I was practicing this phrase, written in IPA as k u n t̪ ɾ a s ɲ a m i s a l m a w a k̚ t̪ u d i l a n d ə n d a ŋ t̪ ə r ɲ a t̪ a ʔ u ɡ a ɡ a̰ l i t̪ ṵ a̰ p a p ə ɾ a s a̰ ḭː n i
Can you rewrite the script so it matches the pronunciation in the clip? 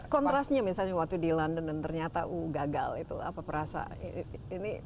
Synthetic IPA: k ɔ n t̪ ɾ a s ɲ a m i s a l ɲ a w a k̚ t̪ u d i l a n d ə n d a n t̪ ə r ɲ a t̪ a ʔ u ɡ a ɡ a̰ l i t̪ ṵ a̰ p a p ə ɾ a s a̰ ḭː n i